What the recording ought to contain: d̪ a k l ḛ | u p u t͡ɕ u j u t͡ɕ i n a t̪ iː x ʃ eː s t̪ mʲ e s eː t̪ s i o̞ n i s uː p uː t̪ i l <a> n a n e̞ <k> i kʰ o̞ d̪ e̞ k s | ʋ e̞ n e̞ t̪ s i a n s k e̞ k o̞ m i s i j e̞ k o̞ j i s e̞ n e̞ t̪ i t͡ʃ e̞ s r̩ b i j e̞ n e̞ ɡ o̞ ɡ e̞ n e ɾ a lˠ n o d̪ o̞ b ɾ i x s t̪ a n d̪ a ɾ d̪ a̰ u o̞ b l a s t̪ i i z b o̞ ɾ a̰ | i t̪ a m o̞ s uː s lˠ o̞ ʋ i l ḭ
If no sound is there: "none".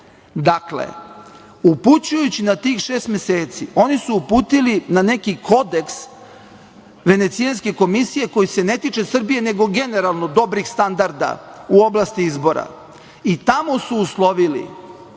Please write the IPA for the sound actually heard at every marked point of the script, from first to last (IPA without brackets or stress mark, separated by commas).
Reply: i, k